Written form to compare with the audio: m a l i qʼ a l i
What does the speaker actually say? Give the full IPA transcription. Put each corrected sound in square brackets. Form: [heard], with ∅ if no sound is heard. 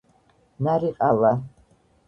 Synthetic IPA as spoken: [n] a [ɾ] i qʼ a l [a]